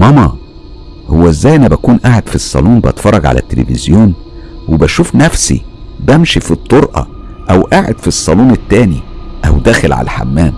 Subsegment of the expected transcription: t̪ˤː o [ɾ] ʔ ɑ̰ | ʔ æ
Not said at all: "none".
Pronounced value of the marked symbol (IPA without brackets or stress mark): ɾ